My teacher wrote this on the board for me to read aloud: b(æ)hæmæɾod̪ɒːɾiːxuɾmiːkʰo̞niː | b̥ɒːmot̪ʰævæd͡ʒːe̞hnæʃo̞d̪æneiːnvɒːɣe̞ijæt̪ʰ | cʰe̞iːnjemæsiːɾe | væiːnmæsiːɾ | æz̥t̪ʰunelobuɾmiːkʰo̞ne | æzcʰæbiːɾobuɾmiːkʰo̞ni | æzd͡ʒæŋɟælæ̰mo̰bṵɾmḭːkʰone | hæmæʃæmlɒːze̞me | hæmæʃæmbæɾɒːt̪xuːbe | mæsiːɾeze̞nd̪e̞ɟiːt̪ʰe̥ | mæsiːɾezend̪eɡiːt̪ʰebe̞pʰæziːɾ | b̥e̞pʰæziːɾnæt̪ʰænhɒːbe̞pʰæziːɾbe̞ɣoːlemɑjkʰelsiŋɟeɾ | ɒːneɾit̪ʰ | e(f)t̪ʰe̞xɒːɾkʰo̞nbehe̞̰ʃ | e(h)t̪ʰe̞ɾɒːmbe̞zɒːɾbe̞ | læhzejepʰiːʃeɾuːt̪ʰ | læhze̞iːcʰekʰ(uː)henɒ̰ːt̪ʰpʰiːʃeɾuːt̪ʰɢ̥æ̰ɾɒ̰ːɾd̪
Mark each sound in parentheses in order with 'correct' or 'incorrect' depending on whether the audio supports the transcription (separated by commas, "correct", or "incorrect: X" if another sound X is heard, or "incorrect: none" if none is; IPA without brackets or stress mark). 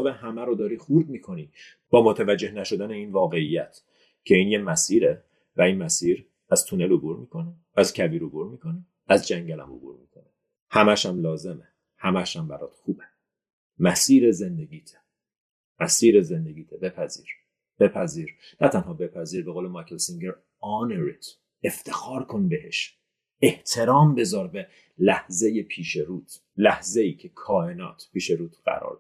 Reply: incorrect: e, correct, correct, incorrect: ɒː